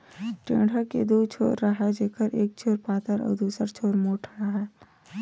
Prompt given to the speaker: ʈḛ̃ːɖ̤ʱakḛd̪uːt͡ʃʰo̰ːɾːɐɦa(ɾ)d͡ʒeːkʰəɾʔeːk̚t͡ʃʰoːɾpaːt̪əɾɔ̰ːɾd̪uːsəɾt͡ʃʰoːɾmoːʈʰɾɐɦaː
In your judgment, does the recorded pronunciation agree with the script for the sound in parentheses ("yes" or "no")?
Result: no